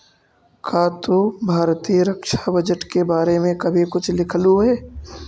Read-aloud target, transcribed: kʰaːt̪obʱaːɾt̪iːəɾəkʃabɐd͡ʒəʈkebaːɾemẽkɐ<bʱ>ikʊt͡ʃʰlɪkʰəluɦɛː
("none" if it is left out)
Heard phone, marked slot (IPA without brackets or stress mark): bʱ